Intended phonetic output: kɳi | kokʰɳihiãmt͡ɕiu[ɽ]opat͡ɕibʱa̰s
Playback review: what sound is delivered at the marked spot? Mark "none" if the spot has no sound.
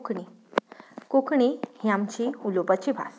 l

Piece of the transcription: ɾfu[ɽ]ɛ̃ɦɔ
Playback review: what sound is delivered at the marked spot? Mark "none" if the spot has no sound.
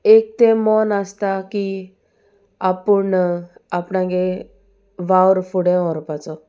ɽ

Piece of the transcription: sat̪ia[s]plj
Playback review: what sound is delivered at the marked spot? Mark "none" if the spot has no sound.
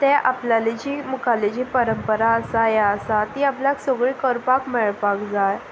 none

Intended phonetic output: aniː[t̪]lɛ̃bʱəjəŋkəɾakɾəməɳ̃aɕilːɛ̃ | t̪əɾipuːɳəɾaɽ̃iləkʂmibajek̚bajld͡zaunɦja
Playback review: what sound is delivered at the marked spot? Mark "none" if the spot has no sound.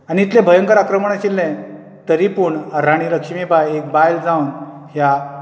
t̪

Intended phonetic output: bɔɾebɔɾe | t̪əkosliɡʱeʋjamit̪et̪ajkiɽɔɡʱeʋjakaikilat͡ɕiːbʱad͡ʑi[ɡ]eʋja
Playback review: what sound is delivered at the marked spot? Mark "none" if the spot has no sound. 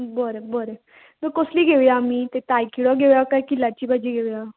ɡ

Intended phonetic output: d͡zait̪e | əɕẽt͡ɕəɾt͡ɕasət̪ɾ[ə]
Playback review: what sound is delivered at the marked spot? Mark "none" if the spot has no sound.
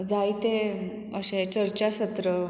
ə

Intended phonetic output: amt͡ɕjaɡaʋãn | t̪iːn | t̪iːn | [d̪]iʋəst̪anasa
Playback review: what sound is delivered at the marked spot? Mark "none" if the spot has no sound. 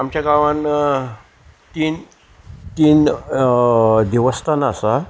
d̪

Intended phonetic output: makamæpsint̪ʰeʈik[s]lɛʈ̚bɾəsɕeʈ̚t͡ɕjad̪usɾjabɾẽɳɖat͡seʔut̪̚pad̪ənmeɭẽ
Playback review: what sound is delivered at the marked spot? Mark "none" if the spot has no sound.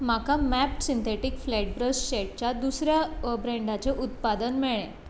f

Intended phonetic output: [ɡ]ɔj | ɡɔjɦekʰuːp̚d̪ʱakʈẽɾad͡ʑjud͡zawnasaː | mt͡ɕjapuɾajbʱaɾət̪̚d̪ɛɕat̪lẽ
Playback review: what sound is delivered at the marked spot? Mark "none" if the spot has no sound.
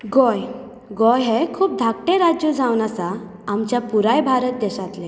ɡ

